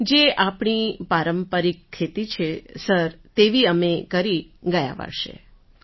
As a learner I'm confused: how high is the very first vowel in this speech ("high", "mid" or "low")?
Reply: mid